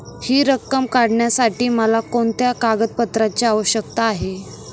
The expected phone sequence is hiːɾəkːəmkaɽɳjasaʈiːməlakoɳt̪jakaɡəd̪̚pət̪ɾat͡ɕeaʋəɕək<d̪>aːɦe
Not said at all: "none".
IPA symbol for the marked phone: t̪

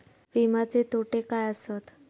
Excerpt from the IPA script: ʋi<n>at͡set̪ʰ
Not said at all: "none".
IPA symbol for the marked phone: m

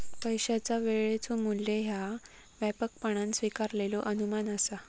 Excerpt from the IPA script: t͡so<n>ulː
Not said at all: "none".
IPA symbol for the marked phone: m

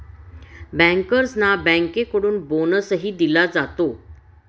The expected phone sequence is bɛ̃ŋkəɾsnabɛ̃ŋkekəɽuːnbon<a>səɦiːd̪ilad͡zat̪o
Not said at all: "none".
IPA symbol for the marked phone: ə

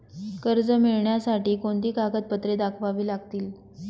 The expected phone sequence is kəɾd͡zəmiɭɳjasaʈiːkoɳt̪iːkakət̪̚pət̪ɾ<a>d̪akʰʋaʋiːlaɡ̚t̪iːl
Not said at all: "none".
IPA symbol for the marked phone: e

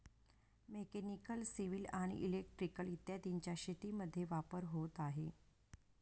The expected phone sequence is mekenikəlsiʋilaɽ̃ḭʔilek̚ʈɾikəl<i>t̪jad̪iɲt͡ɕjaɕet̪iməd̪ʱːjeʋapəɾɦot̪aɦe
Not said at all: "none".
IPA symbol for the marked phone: i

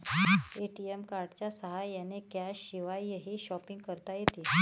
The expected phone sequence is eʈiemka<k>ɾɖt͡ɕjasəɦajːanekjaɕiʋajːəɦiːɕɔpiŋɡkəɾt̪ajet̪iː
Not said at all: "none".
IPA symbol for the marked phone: none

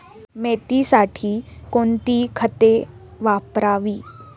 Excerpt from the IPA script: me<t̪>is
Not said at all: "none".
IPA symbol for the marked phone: t̪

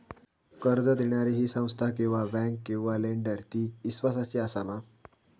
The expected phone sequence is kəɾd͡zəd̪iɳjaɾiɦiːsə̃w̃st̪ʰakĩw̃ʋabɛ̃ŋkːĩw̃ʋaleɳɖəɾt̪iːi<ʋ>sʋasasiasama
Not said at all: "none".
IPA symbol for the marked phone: none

